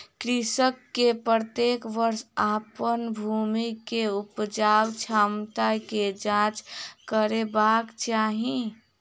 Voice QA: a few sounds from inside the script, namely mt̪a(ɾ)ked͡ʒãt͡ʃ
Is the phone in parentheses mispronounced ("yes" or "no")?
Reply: yes